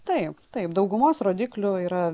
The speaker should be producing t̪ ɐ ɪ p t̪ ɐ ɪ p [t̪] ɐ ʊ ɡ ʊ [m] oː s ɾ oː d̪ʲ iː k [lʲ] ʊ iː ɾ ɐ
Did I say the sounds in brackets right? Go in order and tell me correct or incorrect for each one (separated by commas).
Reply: incorrect, correct, correct